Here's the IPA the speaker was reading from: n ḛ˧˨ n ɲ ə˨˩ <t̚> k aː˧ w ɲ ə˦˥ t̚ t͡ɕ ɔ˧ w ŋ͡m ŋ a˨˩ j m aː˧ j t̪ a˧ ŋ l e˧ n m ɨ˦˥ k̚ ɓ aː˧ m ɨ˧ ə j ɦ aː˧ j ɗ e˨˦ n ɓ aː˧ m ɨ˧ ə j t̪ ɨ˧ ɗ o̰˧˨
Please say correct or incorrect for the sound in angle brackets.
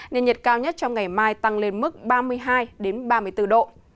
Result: correct